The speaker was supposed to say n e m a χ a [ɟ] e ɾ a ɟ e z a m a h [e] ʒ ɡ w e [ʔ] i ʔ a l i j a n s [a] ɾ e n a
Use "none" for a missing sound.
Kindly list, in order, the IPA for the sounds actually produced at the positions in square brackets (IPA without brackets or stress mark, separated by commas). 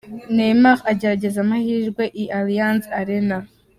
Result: ɟ, i, ʔ, a